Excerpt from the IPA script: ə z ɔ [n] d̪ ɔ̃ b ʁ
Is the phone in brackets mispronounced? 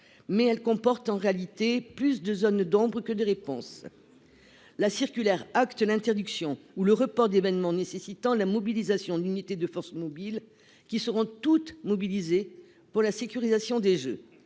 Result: no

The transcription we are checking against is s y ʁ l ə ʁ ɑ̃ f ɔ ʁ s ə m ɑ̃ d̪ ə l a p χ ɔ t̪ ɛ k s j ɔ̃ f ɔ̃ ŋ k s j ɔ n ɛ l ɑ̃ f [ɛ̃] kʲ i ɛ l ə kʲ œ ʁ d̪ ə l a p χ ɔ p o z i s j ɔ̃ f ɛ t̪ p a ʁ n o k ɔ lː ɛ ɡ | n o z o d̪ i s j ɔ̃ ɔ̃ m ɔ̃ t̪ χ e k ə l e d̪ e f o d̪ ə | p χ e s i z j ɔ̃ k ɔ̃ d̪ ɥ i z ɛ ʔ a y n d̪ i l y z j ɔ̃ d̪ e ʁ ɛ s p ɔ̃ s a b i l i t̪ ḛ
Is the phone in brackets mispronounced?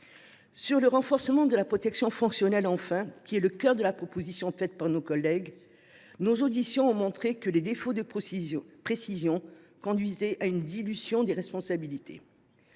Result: no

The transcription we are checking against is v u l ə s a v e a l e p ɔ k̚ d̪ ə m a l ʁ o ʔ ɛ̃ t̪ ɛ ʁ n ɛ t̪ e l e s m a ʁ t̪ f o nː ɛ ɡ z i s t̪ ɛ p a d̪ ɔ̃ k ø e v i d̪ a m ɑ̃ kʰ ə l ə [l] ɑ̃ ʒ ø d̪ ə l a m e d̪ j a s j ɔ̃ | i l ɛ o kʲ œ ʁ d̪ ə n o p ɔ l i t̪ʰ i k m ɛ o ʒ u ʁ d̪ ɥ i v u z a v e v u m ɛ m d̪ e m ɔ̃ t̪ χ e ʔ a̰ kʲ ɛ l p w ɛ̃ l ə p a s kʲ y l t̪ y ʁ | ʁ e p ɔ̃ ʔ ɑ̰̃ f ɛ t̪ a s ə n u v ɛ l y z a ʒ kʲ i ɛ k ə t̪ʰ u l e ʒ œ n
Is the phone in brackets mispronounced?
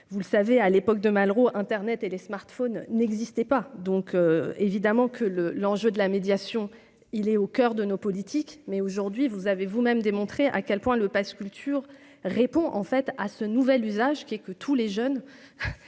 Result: no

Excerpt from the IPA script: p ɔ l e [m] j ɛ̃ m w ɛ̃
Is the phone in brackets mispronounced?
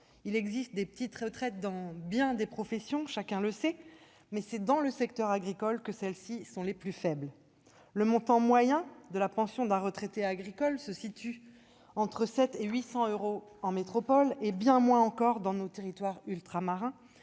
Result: yes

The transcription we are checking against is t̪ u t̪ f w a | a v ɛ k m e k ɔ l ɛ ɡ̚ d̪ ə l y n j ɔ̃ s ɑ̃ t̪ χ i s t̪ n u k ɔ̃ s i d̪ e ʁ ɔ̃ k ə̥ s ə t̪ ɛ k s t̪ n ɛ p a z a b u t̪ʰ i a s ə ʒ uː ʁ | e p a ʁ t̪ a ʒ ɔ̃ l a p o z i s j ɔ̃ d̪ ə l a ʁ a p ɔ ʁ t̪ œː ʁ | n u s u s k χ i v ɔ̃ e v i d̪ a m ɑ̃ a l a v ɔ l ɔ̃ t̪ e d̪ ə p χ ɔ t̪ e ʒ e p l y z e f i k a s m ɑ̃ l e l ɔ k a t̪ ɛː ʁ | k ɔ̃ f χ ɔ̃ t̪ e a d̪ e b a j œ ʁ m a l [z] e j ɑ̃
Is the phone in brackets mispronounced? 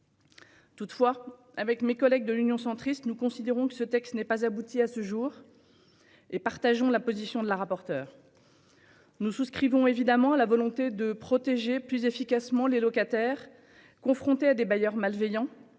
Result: yes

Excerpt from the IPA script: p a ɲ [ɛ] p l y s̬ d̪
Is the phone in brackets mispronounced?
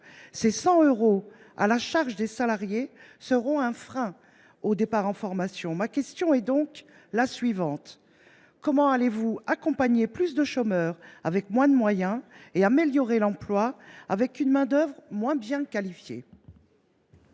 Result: yes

